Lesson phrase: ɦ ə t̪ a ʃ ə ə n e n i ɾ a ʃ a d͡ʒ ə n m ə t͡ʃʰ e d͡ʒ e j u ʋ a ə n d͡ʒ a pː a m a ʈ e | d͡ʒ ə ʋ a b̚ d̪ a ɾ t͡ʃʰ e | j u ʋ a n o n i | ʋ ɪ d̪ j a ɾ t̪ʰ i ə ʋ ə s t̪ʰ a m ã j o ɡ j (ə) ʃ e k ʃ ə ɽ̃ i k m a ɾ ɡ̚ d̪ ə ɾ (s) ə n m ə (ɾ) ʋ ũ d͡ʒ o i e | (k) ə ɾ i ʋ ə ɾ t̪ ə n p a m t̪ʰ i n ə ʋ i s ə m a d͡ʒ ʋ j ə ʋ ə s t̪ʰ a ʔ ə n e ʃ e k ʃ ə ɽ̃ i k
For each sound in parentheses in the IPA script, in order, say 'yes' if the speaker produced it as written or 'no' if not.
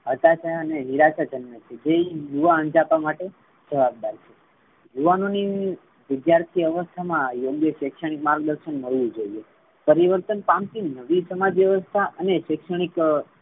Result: yes, no, no, no

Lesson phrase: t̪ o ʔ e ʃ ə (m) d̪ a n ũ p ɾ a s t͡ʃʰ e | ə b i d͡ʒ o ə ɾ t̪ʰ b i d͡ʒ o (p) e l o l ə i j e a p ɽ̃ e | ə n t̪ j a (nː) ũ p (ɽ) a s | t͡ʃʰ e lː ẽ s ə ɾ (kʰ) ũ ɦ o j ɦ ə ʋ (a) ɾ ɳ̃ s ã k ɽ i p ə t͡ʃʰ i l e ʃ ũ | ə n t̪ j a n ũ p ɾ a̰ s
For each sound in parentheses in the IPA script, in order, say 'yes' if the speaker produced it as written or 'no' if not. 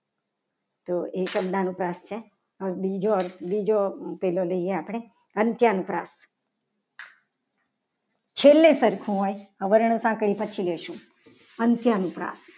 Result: no, yes, no, no, yes, no

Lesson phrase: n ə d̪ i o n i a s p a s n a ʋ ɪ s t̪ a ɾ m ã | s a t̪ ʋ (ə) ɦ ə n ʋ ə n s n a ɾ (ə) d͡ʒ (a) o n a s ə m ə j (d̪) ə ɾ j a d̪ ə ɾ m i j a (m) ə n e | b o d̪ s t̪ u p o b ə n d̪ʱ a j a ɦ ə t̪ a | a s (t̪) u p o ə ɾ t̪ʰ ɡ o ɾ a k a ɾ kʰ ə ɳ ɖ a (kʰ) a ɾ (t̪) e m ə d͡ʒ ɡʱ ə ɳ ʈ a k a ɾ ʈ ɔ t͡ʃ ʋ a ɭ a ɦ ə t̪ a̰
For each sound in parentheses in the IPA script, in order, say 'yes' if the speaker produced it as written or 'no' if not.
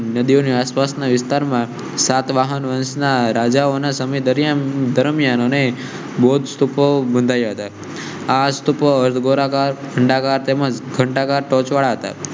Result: no, no, yes, yes, no, yes, no, yes

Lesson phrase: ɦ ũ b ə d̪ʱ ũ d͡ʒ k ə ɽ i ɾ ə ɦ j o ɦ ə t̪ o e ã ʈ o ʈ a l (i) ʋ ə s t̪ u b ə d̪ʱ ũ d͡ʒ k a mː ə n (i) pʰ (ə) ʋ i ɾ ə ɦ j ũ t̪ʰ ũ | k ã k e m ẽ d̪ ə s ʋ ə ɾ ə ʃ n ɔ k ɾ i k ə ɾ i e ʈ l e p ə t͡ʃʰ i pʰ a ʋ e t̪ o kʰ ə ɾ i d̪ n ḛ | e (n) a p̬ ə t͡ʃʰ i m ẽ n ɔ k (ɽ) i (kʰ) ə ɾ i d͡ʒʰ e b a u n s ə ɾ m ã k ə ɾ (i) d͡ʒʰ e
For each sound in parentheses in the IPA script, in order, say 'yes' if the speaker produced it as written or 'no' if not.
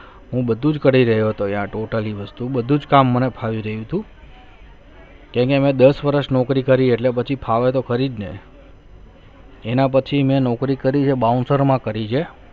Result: yes, no, no, yes, no, no, yes

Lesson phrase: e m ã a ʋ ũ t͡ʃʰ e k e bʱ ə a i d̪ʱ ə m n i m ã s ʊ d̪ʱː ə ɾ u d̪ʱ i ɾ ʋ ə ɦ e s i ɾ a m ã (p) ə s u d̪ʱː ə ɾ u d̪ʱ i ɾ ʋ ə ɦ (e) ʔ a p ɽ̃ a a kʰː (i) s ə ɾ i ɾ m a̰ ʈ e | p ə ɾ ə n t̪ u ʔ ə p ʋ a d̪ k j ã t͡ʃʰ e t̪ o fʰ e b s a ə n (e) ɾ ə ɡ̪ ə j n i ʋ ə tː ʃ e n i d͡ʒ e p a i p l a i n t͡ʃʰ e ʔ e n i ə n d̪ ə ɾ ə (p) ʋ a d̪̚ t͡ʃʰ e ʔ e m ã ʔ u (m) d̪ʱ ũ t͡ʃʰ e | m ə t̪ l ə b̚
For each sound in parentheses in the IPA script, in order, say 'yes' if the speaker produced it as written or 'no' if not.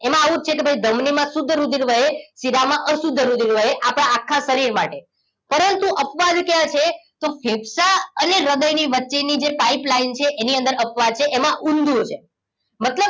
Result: no, yes, no, yes, yes, no

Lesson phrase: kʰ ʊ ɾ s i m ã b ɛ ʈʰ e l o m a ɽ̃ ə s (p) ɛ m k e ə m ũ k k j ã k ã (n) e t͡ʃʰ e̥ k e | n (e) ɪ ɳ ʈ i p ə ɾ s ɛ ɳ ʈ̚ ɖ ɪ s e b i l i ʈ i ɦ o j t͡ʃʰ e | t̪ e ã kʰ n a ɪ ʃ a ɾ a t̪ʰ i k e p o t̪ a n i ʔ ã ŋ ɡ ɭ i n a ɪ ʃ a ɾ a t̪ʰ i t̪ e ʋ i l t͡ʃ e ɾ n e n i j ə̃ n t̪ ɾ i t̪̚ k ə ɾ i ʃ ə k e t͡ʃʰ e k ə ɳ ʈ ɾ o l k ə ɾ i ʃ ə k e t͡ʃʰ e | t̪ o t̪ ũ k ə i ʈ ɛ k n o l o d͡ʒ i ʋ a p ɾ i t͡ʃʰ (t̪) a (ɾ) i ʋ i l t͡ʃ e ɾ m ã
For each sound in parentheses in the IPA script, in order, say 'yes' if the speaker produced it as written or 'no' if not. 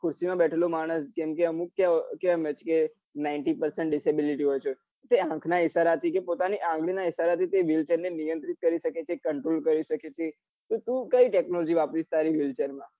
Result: no, no, no, yes, yes

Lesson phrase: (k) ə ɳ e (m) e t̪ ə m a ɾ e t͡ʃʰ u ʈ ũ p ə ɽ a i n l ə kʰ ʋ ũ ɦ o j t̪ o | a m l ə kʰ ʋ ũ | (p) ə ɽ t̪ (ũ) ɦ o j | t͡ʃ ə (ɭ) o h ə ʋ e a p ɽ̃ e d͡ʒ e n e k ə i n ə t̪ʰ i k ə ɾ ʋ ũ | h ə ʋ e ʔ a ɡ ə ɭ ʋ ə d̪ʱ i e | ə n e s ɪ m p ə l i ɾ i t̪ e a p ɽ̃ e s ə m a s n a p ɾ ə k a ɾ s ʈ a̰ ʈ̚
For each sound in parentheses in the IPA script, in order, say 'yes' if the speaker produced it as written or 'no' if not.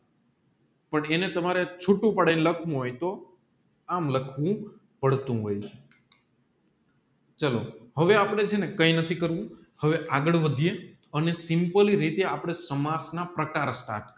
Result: no, no, yes, yes, no

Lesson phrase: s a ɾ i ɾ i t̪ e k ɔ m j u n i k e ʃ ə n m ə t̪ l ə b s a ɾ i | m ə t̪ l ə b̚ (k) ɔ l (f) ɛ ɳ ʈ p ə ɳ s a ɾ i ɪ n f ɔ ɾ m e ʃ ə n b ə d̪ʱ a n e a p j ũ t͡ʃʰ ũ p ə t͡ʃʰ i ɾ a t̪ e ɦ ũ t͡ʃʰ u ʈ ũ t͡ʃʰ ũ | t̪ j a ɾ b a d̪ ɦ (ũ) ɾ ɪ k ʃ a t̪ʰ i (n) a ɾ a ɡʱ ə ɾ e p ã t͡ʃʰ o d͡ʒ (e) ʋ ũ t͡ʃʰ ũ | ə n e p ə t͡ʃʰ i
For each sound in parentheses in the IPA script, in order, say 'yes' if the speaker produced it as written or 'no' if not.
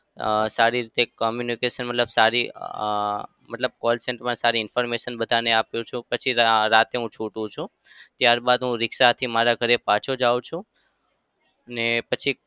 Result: yes, no, yes, no, no

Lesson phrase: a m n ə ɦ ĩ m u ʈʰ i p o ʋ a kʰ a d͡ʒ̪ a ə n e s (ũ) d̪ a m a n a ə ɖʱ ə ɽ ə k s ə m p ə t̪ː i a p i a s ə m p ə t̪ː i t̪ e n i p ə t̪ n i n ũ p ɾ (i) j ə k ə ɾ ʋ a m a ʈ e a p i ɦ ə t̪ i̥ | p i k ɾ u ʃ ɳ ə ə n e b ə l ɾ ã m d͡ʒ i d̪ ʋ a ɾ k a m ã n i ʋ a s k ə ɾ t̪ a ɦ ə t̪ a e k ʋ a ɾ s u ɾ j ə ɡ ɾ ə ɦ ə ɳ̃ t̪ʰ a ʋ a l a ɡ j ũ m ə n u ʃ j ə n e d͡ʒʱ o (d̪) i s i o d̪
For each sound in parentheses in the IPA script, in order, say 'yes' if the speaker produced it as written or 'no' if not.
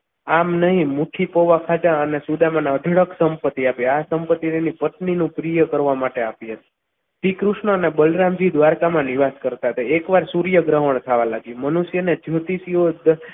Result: no, yes, no

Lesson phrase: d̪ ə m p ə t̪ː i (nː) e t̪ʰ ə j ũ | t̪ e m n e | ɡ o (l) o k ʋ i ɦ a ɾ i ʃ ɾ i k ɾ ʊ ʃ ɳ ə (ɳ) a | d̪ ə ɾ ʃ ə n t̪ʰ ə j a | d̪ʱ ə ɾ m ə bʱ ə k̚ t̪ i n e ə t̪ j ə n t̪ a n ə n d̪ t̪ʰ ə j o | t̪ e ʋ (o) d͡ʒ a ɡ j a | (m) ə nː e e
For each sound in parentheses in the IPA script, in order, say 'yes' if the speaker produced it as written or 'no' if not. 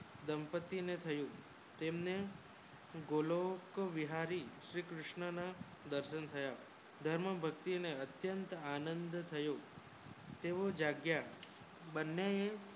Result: no, yes, no, yes, no

